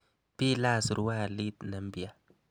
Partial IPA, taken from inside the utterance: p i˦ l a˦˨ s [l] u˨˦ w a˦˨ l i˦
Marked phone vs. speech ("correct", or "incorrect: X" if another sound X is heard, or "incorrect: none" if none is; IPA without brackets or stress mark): incorrect: ɾ